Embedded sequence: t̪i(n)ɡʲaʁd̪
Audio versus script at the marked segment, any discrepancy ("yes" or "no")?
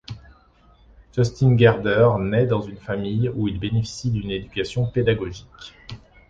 no